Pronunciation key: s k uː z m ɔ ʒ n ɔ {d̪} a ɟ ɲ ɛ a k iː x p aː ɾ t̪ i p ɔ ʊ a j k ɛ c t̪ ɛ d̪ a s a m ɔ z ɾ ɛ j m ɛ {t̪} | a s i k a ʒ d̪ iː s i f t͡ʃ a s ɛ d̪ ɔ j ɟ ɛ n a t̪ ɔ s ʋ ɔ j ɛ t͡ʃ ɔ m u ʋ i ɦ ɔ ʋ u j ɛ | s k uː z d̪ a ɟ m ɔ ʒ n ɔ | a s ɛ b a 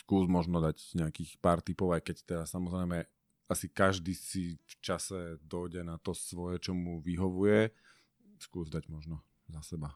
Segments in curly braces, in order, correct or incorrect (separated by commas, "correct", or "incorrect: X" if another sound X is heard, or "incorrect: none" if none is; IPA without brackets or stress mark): correct, incorrect: none